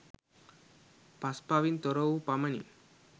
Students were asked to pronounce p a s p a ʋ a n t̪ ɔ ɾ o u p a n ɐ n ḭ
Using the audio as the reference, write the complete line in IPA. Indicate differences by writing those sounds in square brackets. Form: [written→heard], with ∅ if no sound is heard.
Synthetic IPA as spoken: p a s p a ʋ [a→i] n t̪ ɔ ɾ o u p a [n→m] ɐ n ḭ